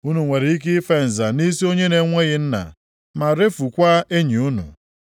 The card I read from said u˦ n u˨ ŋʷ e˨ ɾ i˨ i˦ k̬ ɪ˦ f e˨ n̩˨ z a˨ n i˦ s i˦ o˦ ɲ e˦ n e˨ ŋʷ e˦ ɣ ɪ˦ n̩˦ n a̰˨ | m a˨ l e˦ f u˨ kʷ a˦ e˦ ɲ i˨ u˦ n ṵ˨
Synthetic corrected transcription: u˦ n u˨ ŋʷ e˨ ɾ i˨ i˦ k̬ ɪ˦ f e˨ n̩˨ z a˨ n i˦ s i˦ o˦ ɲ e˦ n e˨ ŋʷ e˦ ɣ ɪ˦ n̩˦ n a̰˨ | m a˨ ɾ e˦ f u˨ kʷ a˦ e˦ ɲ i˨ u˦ n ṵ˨